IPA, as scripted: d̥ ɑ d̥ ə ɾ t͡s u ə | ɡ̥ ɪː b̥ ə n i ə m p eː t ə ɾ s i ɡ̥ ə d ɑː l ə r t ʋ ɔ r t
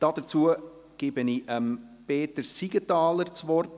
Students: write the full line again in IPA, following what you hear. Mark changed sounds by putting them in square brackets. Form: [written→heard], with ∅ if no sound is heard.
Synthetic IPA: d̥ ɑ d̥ ə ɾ t͡s u ə | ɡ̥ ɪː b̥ ə n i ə m p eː t ə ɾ s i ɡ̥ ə [d→t] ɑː l ə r [t→t͡s] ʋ ɔ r t